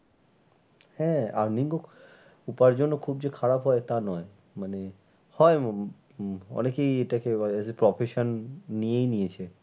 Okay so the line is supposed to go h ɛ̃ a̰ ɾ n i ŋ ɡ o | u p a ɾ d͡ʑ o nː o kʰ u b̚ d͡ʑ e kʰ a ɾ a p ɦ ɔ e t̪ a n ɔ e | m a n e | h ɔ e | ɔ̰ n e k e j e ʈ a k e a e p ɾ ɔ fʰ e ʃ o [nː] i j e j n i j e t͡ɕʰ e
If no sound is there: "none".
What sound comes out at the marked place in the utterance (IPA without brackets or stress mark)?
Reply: nː